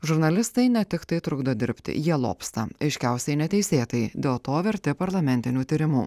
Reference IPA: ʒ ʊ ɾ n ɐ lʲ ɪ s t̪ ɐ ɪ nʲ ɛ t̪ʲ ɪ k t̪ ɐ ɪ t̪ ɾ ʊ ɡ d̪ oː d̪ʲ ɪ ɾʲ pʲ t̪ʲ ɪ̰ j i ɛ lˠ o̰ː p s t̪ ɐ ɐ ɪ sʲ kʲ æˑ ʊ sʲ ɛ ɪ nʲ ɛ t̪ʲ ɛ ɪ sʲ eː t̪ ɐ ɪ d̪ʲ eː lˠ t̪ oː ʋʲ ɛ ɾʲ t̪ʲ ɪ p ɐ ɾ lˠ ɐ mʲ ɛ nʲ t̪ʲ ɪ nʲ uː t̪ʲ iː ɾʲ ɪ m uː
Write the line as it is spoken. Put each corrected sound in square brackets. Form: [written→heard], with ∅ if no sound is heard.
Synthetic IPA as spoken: ʒ ʊ ɾ n ɐ lʲ ɪ s t̪ ɐ ɪ nʲ ɛ t̪ʲ ɪ k t̪ ɐ ɪ t̪ ɾ ʊ ɡ d̪ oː d̪ʲ ɪ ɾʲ pʲ t̪ʲ ɪ̰ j i ɛ lˠ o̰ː p s t̪ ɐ ɐ ɪ [sʲ→ʃʲ] kʲ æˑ ʊ sʲ ɛ ɪ nʲ ɛ t̪ʲ ɛ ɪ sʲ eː t̪ ɐ ɪ d̪ʲ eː lˠ t̪ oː ʋʲ ɛ ɾʲ t̪ʲ ɪ p ɐ ɾ lˠ ɐ mʲ ɛ nʲ t̪ʲ ɪ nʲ uː t̪ʲ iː ɾʲ ɪ m uː